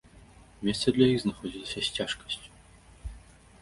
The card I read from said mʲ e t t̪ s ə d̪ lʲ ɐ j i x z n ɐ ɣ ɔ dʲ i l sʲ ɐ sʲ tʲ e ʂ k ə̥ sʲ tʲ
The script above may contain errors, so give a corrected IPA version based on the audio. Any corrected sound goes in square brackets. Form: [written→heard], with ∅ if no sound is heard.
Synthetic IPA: mʲ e [t→s] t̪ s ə d̪ lʲ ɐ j i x z n ɐ [ɣ→x] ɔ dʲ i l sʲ ɐ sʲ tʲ [e→a] ʂ k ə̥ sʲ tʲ